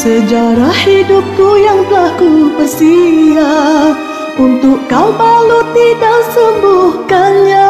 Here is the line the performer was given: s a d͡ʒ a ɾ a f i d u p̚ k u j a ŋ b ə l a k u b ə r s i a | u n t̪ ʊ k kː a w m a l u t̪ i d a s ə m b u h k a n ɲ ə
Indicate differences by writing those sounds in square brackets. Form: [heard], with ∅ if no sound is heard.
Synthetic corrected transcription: s [ə] d͡ʒ a ɾ a [h] i d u p̚ k u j a ŋ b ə l a k u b ə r s i a | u n t̪ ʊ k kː a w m a l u t̪ i d a s ə m b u h k a n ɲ [a]